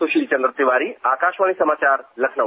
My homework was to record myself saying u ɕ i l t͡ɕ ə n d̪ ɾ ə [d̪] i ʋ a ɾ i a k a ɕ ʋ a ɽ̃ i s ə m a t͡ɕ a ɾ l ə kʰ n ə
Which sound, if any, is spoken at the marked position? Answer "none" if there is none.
t̪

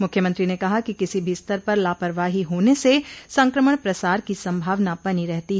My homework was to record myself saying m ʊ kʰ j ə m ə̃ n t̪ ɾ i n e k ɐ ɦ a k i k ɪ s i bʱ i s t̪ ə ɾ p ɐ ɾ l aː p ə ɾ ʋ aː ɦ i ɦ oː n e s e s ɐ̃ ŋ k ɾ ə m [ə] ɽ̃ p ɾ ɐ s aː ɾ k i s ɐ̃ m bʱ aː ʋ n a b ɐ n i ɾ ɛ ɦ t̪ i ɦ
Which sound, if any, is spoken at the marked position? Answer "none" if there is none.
ə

